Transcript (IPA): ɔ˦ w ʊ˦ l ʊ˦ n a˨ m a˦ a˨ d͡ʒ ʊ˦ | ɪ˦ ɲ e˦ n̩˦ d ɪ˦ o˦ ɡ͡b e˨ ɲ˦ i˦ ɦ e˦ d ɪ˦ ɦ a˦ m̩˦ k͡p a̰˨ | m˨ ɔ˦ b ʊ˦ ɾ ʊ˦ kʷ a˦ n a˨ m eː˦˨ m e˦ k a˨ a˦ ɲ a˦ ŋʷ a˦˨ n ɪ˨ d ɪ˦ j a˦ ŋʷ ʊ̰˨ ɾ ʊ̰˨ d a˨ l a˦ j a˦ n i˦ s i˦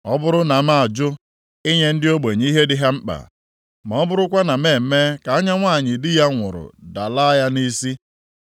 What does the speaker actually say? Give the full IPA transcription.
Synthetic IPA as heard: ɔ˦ b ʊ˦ ɾ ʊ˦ n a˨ m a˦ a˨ d͡ʒ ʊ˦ | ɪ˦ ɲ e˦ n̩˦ d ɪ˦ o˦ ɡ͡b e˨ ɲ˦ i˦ ɦ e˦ d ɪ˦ ɦ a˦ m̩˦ k͡p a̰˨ | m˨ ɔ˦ b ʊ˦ ɾ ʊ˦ kʷ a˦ n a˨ m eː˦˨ m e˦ k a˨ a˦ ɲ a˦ ŋʷ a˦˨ ɲ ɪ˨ d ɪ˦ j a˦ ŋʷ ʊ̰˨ ɾ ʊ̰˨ d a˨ l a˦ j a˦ n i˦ s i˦

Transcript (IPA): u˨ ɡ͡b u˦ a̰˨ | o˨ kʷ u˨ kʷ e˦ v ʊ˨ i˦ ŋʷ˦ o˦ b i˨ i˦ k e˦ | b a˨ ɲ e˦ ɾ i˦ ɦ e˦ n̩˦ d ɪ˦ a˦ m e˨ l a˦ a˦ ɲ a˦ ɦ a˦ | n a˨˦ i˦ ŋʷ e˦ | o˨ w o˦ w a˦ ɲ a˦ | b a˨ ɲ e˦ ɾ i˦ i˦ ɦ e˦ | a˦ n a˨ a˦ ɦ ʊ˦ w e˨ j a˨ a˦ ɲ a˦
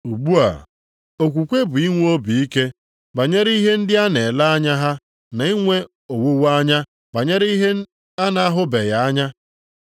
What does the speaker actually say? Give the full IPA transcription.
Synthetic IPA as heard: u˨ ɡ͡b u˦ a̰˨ | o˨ kʷ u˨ kʷ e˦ b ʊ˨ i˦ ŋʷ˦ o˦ b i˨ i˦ k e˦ | b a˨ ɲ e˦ ɾ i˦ ɦ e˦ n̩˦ d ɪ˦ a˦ n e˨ l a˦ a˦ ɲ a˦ ɦ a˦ | n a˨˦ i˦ ŋʷ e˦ | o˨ w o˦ w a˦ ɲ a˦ | b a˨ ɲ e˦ ɾ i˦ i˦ ɦ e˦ | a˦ n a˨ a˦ ɦ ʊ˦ b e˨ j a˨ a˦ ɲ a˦

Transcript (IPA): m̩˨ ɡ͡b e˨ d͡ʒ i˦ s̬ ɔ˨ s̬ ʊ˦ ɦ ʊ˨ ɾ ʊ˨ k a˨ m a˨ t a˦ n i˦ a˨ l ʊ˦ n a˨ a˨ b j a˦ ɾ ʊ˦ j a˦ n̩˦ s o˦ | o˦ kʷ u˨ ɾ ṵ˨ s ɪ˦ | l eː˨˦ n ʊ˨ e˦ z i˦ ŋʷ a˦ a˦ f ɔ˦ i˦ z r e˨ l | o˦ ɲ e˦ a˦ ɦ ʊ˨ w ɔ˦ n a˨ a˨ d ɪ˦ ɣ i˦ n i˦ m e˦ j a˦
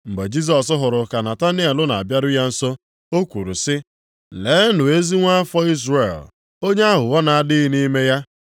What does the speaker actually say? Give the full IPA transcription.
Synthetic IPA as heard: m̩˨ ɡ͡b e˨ d͡ʒ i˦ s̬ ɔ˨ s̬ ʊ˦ ɦ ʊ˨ ɾ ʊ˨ k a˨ n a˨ t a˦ n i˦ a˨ l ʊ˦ n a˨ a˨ b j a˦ ɾ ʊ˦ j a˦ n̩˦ s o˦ | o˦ kʷ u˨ ɾ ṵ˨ s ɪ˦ | l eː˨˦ n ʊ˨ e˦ z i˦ ŋʷ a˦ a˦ f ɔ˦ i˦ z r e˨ l | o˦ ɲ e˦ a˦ ɦ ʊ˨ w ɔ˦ n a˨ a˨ d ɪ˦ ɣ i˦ n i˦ m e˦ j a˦

